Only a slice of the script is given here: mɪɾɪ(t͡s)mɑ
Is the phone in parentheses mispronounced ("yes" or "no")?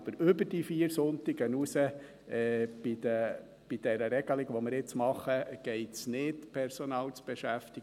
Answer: no